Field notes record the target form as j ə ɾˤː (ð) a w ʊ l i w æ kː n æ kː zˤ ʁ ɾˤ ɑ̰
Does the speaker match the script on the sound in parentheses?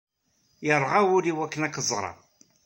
no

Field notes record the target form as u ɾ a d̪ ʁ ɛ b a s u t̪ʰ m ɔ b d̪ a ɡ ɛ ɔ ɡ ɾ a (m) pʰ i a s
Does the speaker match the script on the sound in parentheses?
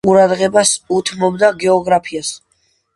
no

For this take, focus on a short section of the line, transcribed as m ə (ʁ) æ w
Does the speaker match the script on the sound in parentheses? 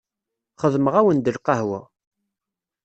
yes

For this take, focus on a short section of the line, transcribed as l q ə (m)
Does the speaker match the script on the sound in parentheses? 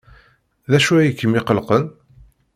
no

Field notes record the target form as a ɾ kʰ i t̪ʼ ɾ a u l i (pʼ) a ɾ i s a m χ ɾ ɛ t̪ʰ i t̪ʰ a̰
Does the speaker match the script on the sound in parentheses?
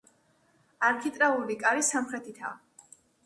no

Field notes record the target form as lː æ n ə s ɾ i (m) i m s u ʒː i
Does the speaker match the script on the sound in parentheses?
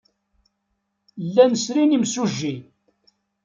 no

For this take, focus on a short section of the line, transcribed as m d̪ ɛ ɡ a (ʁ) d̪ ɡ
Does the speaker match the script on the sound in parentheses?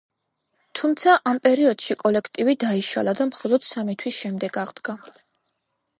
yes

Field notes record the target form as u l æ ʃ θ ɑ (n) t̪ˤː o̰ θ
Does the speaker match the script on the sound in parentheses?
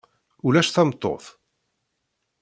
no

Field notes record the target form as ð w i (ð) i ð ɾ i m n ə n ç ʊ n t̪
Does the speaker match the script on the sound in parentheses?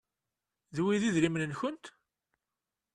yes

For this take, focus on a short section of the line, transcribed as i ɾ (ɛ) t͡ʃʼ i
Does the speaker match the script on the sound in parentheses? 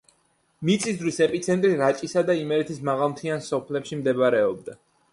no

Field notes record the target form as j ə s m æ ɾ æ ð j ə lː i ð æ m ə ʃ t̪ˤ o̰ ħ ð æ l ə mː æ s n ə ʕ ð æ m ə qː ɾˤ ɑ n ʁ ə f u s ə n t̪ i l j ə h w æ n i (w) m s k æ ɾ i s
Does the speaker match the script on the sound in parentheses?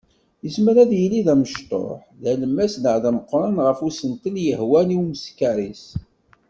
yes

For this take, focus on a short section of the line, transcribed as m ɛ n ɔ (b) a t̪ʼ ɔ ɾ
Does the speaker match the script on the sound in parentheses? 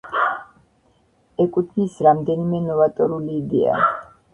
no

